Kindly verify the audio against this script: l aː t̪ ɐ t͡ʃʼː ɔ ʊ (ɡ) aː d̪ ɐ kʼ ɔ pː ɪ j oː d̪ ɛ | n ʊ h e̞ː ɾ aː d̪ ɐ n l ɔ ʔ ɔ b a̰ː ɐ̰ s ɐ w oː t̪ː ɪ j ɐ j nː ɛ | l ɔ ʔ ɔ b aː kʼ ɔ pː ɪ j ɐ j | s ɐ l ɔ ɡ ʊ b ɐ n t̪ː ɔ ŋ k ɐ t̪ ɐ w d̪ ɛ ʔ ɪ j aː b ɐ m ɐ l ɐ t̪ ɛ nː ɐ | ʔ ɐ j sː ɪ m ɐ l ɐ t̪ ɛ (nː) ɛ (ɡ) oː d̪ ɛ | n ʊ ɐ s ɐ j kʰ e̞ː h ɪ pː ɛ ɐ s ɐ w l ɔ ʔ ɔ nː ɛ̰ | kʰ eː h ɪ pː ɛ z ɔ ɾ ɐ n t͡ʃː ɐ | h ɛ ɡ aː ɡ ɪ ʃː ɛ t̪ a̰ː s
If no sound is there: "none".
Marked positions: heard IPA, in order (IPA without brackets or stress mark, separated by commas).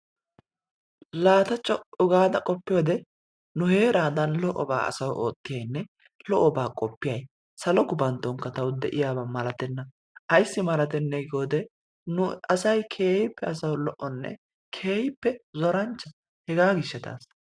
ɡ, nː, ɡ